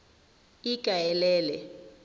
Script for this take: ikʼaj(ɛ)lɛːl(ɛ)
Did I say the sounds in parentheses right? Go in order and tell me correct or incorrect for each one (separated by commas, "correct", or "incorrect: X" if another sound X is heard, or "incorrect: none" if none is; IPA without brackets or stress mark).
correct, correct